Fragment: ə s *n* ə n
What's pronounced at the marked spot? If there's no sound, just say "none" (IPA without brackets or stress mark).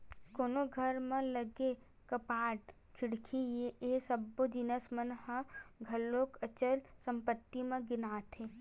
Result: m